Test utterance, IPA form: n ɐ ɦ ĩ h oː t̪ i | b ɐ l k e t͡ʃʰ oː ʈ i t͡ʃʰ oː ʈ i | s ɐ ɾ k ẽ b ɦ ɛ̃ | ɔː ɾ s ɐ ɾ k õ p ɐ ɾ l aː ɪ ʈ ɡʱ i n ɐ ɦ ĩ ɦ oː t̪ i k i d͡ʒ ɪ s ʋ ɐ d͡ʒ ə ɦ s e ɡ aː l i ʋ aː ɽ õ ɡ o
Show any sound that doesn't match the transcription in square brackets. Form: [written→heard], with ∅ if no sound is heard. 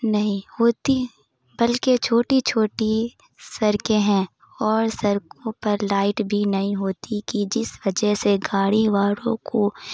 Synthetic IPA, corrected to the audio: n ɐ ɦ ĩ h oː t̪ i | b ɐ l k e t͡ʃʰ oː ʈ i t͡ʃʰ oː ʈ i | s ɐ ɾ k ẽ [b→∅] ɦ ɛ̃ | ɔː ɾ s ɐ ɾ k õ p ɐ ɾ l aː ɪ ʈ [ɡʱ→bʱ] i n ɐ ɦ ĩ ɦ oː t̪ i k i d͡ʒ ɪ s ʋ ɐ d͡ʒ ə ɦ s e ɡ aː [l→ɽ] i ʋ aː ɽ õ [ɡ→k] o